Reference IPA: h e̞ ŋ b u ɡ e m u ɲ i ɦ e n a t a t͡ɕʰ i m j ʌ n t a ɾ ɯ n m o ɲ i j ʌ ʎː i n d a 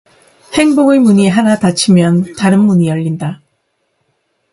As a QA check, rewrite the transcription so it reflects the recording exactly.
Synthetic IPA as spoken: h e̞ ŋ b o ɡ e m u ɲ i ɦ a n a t a t͡ɕʰ i m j ʌ n t a ɾ ɯ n m u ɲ i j ʌ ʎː i n d a